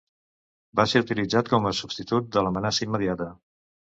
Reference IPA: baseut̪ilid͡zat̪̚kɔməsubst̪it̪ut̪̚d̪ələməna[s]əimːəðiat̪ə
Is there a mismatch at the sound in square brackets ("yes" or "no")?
no